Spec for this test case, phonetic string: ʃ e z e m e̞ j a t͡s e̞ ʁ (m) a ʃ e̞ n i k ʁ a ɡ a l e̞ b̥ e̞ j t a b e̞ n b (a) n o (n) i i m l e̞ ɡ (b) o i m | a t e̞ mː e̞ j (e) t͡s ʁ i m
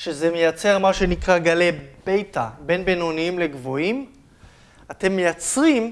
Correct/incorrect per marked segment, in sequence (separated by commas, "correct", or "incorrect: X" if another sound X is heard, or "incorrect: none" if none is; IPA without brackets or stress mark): correct, incorrect: e, correct, incorrect: v, incorrect: a